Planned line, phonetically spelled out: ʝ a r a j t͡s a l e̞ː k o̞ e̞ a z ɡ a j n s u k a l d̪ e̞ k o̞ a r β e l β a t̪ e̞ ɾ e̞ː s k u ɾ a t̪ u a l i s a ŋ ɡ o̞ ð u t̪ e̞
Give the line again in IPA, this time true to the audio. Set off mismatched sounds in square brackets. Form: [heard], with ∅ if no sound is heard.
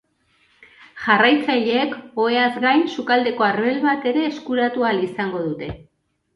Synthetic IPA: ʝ a r a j t͡s a [ʎ] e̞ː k o̞ e̞ a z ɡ a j n s u k a l d̪ e̞ k o̞ a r β e l β a t̪ e̞ ɾ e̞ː s k u ɾ a t̪ u a l i s a ŋ ɡ o̞ ð u t̪ e̞